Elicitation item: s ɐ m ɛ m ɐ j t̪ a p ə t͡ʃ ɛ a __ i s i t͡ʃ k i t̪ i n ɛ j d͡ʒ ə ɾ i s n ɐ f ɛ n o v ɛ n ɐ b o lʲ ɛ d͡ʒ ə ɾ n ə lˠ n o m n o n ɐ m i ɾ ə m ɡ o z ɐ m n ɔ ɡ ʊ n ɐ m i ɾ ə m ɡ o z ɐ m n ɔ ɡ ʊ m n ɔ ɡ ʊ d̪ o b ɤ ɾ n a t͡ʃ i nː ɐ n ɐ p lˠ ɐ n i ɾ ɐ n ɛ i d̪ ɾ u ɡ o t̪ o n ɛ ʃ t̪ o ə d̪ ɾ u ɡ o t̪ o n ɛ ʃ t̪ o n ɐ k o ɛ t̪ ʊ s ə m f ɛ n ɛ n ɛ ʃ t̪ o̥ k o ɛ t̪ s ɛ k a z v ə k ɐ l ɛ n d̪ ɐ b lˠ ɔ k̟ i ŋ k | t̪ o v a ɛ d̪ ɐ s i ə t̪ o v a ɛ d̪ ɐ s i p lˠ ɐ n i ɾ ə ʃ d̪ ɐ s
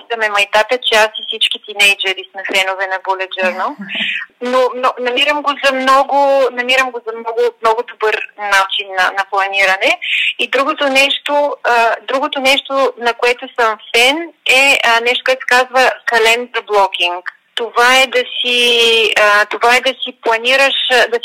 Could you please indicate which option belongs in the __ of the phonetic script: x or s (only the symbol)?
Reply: s